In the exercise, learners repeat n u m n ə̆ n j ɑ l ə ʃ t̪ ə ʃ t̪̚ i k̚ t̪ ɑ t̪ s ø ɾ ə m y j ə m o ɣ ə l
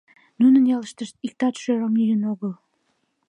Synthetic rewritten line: n u n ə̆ n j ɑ l ə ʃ t̪ ə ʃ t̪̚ i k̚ t̪ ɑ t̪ ʃ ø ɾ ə m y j ə n o ɣ ə l